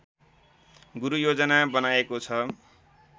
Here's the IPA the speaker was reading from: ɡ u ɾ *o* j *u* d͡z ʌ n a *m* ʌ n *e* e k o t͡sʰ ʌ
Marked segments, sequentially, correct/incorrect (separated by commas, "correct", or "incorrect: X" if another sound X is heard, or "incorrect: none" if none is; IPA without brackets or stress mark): incorrect: u, incorrect: o, incorrect: b, incorrect: a